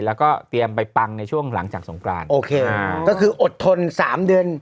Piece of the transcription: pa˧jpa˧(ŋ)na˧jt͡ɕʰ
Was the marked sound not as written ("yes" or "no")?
no